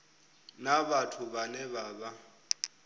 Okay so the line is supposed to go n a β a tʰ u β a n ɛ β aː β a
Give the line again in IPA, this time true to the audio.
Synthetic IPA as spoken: n a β a tʰ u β a n ɛ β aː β a